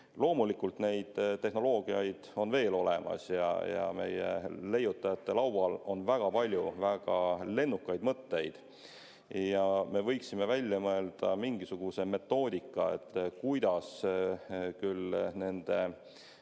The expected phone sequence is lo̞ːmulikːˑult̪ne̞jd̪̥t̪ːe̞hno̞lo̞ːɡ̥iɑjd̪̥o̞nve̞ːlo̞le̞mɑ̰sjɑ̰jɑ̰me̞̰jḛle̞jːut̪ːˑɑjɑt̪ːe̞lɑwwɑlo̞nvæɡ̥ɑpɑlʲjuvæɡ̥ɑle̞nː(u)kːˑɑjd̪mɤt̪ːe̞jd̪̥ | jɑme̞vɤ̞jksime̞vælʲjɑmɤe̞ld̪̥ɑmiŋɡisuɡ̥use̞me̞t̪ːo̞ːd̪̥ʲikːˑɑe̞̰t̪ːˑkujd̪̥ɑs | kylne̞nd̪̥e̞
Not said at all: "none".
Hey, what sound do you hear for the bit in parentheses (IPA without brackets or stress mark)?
u